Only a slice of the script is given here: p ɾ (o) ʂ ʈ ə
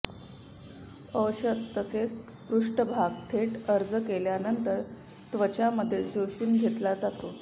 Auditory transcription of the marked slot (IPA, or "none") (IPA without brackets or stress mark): u